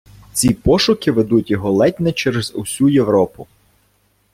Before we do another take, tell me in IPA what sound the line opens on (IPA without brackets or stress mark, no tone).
t͡sʲ